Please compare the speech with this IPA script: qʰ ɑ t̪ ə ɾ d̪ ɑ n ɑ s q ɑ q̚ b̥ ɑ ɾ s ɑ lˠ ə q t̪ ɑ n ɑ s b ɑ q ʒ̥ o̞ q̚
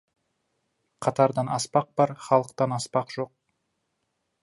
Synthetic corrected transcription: qʰ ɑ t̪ ɑ ɾ d̪ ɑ n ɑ s p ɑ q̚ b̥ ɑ ɾ χ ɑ lˠ ə q t̪ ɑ n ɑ s p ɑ q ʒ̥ o̞ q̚